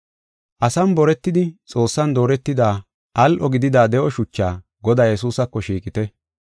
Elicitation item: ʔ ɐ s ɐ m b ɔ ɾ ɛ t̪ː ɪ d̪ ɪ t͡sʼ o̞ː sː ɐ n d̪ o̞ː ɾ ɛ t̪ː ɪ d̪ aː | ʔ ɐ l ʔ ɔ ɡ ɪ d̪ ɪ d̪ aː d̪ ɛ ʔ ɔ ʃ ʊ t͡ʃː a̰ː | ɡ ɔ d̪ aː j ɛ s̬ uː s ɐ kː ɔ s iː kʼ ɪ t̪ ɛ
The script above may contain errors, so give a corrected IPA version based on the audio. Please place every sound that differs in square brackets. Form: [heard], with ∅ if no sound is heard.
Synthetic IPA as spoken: ʔ ɐ s ɐ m b ɔ ɾ ɛ t̪ː ɪ d̪ ɪ t͡sʼ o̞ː sː ɐ n d̪ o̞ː ɾ ɛ t̪ː ɪ d̪ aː | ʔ ɐ l ʔ ɔ ɡ ɪ d̪ ɪ d̪ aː d̪ ɛ ʔ ɔ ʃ ʊ t͡ʃː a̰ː | ɡ ɔ d̪ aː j ɛ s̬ uː s ɐ kː ɔ [ʃ] iː kʼ ɪ t̪ ɛ

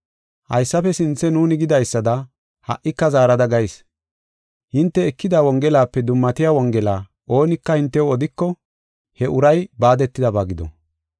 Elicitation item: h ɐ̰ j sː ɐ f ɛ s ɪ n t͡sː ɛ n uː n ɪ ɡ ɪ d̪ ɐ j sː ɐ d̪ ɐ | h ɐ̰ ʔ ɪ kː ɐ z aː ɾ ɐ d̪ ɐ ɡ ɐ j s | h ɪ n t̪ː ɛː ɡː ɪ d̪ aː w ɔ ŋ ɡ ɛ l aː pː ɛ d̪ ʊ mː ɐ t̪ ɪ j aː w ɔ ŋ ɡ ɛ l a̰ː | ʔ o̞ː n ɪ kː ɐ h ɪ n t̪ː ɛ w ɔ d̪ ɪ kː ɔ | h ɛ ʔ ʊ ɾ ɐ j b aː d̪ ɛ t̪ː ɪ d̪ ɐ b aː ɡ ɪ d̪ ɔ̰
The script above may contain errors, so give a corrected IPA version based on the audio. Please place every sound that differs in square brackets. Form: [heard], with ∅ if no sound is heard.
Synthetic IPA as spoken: h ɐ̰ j sː ɐ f ɛ s ɪ n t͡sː ɛ n uː n ɪ ɡ ɪ d̪ ɐ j sː ɐ d̪ ɐ | h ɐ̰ ʔ ɪ kː ɐ z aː ɾ ɐ d̪ ɐ ɡ ɐ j s | h ɪ n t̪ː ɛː [kː] ɪ d̪ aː w ɔ ŋ ɡ ɛ l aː pː ɛ d̪ ʊ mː ɐ t̪ ɪ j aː w ɔ ŋ ɡ ɛ l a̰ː | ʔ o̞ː n ɪ kː ɐ h ɪ n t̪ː ɛ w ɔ d̪ ɪ kː ɔ | h ɛ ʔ ʊ ɾ ɐ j b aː d̪ ɛ t̪ː ɪ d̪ ɐ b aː ɡ ɪ d̪ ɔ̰

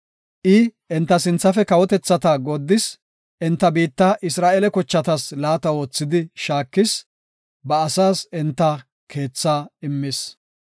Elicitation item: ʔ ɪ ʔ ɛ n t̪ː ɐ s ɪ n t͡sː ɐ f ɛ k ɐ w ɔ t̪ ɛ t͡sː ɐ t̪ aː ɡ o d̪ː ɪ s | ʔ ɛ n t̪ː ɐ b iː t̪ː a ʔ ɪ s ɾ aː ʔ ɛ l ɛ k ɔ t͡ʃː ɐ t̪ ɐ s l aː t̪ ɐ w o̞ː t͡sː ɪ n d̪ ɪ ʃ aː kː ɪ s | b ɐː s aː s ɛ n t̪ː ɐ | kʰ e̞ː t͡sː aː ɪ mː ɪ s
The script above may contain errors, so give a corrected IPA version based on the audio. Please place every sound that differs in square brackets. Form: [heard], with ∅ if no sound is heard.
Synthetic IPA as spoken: ʔ ɪ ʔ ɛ n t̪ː ɐ s ɪ n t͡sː ɐ f ɛ k ɐ w ɔ t̪ ɛ t͡sː ɐ t̪ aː ɡ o d̪ː ɪ s | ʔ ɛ n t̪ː ɐ b iː t̪ː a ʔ ɪ s ɾ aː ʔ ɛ l ɛ k ɔ t͡ʃː ɐ t̪ ɐ s l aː t̪ ɐ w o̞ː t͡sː ɪ [∅] d̪ ɪ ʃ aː kː ɪ s | b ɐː s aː s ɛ n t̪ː ɐ | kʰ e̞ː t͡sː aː ɪ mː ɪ s

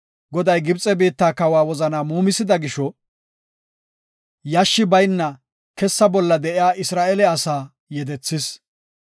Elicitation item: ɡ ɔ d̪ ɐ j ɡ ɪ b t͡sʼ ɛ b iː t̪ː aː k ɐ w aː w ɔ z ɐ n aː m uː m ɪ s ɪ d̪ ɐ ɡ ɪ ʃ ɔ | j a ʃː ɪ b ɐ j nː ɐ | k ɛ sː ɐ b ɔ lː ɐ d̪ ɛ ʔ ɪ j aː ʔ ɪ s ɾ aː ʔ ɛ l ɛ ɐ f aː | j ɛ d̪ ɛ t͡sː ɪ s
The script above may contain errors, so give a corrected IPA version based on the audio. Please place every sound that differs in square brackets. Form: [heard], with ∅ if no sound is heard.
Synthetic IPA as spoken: ɡ ɔ d̪ ɐ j ɡ ɪ b t͡sʼ ɛ b iː t̪ː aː k ɐ w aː w ɔ z ɐ n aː m uː m ɪ s ɪ d̪ ɐ ɡ ɪ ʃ ɔ | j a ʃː ɪ b ɐ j nː ɐ | k ɛ sː ɐ b ɔ lː ɐ d̪ ɛ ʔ ɪ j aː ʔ ɪ s ɾ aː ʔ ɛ l ɛ ɐ [s] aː | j ɛ d̪ ɛ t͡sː ɪ s

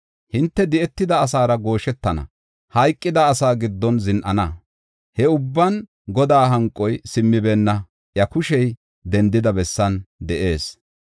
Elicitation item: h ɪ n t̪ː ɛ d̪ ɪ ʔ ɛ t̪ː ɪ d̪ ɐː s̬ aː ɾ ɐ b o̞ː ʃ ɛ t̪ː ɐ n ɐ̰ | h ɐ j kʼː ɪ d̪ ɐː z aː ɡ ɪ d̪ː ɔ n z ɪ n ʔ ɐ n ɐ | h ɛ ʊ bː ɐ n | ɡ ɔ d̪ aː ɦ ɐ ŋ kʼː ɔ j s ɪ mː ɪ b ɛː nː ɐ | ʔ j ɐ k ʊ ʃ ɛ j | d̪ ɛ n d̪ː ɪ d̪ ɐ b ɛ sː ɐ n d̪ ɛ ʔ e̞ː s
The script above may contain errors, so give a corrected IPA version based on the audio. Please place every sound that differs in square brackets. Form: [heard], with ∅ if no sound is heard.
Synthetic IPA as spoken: h ɪ n t̪ː ɛ d̪ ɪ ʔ ɛ t̪ː ɪ d̪ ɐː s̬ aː ɾ ɐ [ɡ] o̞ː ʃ ɛ t̪ː ɐ n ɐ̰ | h ɐ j kʼː ɪ d̪ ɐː [s] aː ɡ ɪ d̪ː ɔ n z ɪ n ʔ ɐ n ɐ | h ɛ ʊ bː ɐ n | ɡ ɔ d̪ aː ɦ ɐ ŋ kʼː ɔ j s ɪ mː ɪ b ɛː nː ɐ | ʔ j ɐ k ʊ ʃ ɛ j | d̪ ɛ n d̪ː ɪ d̪ ɐ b ɛ sː ɐ n d̪ ɛ ʔ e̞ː s

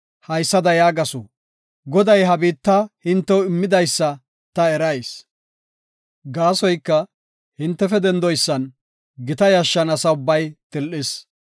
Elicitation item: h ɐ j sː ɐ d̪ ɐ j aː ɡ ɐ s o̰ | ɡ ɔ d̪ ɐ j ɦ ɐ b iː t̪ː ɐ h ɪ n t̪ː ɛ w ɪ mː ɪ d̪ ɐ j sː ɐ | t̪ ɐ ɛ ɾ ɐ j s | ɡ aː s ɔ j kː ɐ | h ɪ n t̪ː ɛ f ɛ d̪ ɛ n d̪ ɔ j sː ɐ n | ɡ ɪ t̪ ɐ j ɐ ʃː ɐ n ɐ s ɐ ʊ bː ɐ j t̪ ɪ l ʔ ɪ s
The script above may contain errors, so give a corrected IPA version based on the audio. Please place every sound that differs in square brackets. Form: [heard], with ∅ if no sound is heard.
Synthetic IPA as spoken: h ɐ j sː ɐ d̪ ɐ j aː ɡ ɐ s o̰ | ɡ ɔ d̪ ɐ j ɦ ɐ b iː t̪ː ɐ h ɪ n t̪ː ɛ w ɪ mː ɪ d̪ ɐ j sː ɐ | t̪ ɐ ɛ ɾ ɐ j s | ɡ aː s ɔ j kː ɐ | h ɪ n t̪ː ɛ f ɛ d̪ ɛ n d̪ ɔ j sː ɐ n | ɡ ɪ t̪ ɐ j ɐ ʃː ɐ n ɐ s ɐ ʊ bː ɐ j t̪ ɪ l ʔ ɪ s

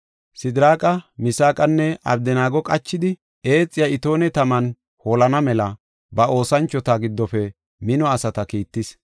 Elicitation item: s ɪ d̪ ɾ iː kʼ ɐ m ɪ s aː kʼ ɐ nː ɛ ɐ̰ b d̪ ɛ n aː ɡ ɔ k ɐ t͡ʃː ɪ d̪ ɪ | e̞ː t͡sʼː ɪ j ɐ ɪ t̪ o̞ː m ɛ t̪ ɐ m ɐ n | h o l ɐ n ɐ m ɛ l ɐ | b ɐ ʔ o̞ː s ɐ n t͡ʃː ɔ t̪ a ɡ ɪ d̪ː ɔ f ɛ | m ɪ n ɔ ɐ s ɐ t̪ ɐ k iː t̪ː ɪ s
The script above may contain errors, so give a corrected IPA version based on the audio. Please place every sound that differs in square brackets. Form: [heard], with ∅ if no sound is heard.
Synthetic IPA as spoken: s ɪ d̪ ɾ [aː] kʼ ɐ m ɪ s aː kʼ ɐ nː ɛ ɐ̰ b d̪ ɛ n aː ɡ ɔ [kʼ] ɐ t͡ʃː ɪ d̪ ɪ | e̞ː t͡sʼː ɪ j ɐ ɪ t̪ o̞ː [n] ɛ t̪ ɐ m ɐ n | h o l ɐ n ɐ m ɛ l ɐ | b ɐ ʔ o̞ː s ɐ n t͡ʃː ɔ t̪ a ɡ ɪ d̪ː ɔ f ɛ | m ɪ n ɔ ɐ s ɐ t̪ ɐ k iː t̪ː ɪ s

